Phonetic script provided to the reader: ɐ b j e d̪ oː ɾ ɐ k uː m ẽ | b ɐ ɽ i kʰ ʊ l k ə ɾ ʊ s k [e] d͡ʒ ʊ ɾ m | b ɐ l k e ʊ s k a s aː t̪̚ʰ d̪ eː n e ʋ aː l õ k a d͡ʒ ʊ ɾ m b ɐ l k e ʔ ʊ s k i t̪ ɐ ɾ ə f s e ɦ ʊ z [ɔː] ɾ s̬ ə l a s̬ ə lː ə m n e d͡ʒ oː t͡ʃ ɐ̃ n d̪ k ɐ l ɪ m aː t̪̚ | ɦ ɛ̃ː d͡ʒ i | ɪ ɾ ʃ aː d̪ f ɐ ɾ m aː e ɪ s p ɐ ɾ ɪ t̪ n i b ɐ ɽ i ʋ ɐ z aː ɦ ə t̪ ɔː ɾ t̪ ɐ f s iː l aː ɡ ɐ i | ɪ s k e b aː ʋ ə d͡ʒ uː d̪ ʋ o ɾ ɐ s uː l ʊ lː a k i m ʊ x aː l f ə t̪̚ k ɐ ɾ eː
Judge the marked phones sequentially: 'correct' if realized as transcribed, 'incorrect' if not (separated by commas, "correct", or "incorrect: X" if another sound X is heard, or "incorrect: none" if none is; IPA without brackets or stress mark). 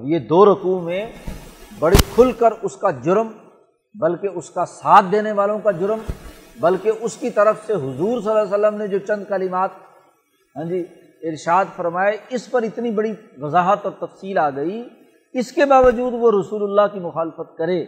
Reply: incorrect: a, incorrect: uː